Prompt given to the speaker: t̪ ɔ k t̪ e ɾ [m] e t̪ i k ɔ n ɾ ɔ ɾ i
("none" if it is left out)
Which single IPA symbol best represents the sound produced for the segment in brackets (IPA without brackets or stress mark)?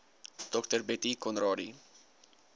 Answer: b